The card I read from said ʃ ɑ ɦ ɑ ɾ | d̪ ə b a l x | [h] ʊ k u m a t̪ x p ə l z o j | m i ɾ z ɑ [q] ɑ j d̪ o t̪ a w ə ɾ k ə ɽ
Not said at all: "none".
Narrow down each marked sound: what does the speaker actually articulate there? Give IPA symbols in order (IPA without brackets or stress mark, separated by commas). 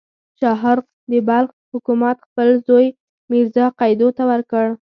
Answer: h, q